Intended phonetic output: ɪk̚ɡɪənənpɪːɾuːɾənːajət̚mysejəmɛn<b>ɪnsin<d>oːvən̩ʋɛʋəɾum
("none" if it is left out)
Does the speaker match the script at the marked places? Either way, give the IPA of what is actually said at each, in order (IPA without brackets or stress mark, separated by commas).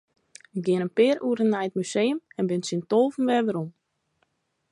b, t